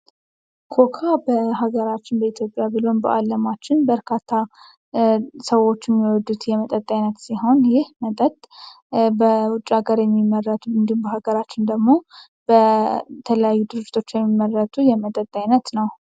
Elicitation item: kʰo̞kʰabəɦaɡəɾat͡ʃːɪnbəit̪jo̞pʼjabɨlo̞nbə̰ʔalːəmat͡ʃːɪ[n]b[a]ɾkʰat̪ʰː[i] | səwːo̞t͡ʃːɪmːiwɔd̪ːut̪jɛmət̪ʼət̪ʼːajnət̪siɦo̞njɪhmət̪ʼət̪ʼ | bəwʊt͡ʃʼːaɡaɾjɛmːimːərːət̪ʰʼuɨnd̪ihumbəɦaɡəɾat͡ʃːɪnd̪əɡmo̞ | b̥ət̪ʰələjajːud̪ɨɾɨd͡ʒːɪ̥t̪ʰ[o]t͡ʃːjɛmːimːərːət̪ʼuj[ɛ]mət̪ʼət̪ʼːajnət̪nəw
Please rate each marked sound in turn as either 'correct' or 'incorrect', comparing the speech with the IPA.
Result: correct, incorrect: ə, incorrect: a, correct, correct

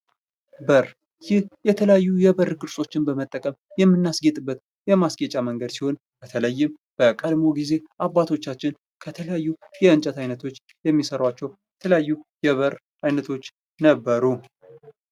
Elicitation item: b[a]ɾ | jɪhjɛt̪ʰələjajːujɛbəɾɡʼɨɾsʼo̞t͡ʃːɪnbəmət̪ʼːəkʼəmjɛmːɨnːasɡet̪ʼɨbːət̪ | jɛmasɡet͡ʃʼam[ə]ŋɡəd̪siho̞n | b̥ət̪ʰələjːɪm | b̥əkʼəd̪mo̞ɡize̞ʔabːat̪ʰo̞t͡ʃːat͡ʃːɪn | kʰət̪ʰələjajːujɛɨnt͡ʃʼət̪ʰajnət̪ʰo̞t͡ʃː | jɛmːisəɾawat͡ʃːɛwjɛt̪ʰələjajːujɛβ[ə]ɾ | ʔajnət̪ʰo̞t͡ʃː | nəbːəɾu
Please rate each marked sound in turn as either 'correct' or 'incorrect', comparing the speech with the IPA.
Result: incorrect: ə, correct, correct

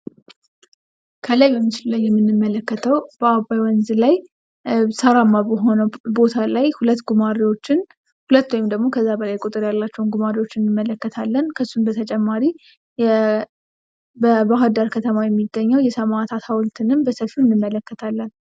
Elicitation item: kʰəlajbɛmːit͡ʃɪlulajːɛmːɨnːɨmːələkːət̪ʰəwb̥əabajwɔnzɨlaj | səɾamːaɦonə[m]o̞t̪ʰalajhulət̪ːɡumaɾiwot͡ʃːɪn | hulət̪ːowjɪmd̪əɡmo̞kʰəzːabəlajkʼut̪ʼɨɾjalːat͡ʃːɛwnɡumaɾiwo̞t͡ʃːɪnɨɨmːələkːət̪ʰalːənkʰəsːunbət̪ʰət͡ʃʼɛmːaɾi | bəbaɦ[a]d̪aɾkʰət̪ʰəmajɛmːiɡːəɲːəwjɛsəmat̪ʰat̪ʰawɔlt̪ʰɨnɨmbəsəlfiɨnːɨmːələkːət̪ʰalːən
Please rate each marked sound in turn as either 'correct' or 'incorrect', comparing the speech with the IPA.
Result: incorrect: b, correct

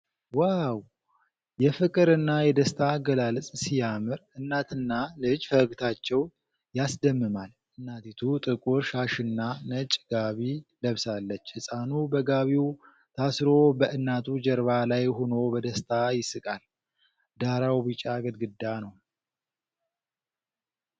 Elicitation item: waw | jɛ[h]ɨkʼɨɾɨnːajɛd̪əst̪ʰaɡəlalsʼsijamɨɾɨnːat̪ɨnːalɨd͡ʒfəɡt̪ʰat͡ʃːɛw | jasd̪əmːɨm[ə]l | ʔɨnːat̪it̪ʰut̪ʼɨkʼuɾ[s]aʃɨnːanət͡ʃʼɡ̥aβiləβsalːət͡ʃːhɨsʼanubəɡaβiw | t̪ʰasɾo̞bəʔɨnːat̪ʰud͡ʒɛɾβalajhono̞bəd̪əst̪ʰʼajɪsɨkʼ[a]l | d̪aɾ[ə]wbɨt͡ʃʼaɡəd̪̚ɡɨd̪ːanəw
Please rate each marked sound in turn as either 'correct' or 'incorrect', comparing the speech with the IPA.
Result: incorrect: f, incorrect: a, incorrect: ʃ, correct, incorrect: a

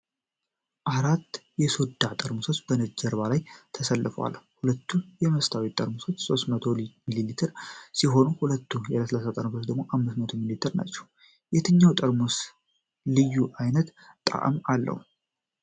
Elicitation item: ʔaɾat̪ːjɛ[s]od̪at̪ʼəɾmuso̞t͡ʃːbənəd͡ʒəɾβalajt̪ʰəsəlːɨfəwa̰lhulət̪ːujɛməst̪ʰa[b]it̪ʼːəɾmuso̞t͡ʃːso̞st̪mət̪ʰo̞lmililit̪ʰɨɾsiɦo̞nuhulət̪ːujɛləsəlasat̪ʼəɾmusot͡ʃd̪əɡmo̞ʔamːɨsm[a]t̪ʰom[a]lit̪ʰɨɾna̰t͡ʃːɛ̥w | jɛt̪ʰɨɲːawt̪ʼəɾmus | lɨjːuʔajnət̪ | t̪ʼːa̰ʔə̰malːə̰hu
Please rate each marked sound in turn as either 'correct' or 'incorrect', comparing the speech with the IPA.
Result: correct, incorrect: w, incorrect: ə, incorrect: i

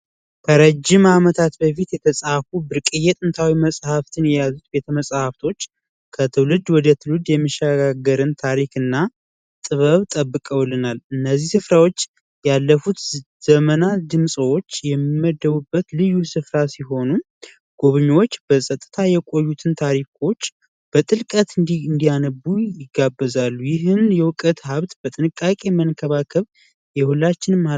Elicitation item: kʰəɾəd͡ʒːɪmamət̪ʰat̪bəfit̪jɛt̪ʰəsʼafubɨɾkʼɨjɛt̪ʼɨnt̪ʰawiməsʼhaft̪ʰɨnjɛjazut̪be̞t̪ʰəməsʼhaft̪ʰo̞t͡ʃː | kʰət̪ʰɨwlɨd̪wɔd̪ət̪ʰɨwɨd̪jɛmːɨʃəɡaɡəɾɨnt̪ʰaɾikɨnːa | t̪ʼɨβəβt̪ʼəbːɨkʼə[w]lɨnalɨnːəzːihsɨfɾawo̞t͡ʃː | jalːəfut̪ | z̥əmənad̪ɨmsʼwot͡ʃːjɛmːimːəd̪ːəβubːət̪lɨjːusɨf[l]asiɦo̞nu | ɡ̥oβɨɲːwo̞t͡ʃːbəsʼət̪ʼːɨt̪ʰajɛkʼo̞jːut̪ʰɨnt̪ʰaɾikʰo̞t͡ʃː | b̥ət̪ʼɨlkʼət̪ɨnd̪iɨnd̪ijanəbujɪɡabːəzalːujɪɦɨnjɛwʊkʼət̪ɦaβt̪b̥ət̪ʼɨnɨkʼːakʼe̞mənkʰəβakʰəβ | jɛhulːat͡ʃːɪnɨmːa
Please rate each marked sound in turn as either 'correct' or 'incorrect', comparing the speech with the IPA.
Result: correct, incorrect: ɾ

